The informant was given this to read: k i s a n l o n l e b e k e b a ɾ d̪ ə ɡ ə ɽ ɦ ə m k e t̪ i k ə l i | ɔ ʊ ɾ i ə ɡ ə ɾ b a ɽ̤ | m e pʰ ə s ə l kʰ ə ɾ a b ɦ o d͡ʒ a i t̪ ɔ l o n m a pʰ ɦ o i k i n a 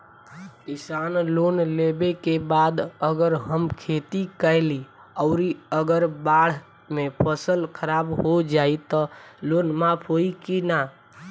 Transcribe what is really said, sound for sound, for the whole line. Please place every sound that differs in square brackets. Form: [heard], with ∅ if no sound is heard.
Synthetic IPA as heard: k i s a n l o n l e b e k e b a [∅] d̪ ə ɡ ə [ɾ] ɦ ə m [kʰ] e t̪ i k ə l i | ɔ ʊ ɾ i ə ɡ ə ɾ b a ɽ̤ | m e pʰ ə s ə l kʰ ə ɾ a b ɦ o d͡ʒ a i t̪ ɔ l o n m a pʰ ɦ o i k i n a